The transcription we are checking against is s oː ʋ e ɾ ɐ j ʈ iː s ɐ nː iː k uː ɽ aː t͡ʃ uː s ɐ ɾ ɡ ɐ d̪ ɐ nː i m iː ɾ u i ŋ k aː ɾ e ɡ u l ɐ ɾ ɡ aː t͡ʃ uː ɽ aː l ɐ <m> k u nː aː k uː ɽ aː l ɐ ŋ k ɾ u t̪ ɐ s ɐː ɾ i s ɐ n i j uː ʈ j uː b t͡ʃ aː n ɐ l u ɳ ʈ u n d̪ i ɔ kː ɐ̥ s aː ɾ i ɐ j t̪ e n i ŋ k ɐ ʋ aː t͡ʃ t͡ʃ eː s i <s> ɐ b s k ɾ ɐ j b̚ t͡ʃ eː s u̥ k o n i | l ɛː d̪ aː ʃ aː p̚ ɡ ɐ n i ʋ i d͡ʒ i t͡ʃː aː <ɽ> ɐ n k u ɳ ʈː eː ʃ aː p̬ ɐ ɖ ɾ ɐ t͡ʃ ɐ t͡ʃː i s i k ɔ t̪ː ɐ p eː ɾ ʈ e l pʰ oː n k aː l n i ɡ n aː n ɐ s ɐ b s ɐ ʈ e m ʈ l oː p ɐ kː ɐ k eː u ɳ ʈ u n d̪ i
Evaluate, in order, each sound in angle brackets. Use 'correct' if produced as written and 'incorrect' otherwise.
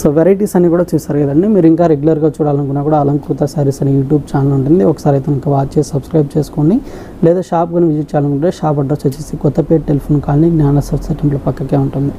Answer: incorrect: n, correct, incorrect: l

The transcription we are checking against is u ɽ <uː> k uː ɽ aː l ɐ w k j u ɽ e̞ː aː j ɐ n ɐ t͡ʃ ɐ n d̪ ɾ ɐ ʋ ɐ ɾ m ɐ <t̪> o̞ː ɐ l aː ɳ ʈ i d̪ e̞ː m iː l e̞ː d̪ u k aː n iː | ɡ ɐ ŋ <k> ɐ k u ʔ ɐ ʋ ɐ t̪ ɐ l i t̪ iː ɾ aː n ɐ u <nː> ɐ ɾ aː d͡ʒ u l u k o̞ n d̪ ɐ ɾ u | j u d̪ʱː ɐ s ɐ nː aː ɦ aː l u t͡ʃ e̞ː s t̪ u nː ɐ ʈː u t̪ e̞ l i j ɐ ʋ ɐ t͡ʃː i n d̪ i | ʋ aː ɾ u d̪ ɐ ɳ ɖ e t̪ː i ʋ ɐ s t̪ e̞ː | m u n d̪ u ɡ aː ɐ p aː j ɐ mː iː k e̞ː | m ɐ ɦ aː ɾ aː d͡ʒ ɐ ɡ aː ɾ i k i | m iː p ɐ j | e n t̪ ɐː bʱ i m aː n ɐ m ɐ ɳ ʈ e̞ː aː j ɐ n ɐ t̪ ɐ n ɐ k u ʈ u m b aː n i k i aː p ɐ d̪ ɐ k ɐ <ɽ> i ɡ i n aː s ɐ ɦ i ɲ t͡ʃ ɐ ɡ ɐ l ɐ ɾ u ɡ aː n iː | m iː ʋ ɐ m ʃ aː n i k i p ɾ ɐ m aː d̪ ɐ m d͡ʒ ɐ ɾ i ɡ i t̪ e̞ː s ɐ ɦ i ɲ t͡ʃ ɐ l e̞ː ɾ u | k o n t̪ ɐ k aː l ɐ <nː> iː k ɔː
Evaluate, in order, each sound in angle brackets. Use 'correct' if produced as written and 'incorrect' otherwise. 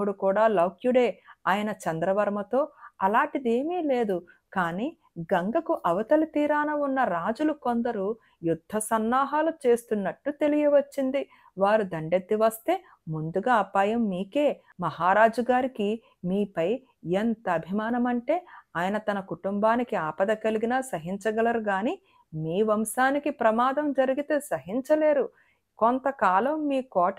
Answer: incorrect: u, correct, incorrect: ɡ, correct, incorrect: l, incorrect: mː

